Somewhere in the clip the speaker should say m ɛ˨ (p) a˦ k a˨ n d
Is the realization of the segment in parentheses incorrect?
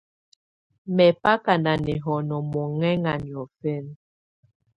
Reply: no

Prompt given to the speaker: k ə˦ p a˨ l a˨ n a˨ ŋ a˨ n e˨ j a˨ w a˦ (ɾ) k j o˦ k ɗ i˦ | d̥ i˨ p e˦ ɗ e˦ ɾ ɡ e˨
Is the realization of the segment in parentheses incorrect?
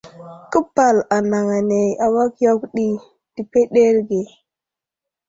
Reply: yes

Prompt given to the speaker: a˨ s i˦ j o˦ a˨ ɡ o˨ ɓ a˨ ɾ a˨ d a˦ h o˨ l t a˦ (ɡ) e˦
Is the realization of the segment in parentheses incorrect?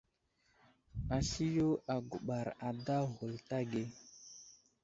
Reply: no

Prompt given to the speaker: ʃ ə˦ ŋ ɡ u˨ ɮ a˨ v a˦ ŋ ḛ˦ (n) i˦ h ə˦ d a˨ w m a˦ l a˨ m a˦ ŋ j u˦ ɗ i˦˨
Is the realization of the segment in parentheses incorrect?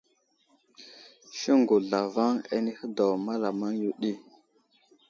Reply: no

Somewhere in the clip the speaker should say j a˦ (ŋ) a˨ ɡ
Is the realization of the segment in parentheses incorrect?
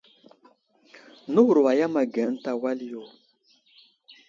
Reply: yes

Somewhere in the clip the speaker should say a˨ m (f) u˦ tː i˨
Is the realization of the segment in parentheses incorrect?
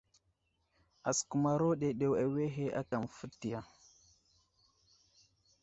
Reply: no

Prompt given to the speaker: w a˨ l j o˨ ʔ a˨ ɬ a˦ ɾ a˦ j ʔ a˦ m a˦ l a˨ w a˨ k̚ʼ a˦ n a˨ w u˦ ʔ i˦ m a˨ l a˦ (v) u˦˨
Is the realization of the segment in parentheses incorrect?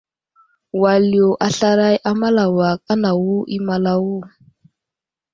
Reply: yes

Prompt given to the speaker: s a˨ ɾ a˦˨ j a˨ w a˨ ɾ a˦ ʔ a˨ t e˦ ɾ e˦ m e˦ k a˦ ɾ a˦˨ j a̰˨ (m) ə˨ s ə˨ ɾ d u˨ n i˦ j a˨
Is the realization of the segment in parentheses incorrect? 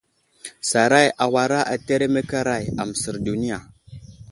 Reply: no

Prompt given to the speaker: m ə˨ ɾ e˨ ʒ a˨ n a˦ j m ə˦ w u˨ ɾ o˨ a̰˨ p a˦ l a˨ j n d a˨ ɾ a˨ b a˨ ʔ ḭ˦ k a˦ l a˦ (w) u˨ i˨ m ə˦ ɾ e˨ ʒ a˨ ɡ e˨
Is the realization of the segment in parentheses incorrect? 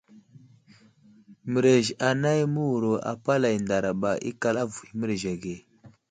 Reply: yes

